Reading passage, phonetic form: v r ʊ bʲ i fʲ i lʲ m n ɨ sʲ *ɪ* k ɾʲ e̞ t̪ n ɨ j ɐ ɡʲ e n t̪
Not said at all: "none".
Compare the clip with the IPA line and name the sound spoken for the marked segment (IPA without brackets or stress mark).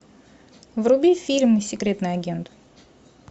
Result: ɪ